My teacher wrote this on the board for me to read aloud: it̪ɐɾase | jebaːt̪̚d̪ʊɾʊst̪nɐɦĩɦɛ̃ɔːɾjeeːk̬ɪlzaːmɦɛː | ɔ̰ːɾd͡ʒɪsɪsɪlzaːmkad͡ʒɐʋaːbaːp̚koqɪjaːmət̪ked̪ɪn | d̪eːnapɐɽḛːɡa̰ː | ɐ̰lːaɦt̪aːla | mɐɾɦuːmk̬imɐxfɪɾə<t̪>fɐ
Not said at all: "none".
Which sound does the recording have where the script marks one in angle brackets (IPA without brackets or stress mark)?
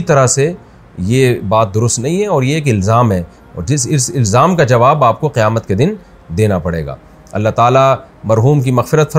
t̪